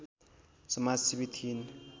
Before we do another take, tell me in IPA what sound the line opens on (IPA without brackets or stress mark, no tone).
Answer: s